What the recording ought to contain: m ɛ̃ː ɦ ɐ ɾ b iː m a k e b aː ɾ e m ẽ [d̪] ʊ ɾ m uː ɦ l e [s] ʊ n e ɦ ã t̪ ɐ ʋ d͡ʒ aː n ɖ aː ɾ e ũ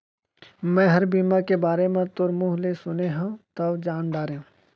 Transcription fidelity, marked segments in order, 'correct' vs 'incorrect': incorrect: t̪, correct

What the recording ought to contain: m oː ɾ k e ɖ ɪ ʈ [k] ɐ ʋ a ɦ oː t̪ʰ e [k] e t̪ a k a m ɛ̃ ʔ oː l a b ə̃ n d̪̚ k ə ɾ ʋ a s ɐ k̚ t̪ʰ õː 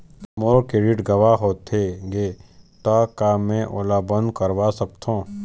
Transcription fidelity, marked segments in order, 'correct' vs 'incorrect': incorrect: ɡ, incorrect: ɡ

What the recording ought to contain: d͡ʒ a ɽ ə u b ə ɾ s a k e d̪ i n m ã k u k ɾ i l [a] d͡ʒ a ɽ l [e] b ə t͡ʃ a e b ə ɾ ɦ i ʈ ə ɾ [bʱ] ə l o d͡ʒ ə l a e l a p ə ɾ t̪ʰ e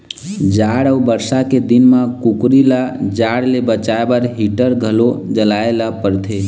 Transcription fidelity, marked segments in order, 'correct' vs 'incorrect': correct, correct, incorrect: ɡʱ

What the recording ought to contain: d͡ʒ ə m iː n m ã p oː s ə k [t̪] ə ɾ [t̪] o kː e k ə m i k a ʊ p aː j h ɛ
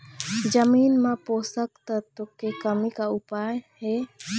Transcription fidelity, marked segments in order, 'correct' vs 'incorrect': correct, correct

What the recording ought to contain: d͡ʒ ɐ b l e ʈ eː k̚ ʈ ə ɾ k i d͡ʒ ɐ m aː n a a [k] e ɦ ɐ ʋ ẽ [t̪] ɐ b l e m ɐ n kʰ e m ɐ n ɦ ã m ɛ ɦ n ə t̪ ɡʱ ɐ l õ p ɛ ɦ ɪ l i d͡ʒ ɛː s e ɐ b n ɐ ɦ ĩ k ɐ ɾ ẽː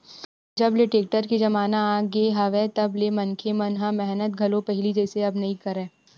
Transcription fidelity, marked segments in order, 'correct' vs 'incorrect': incorrect: ɡ, correct

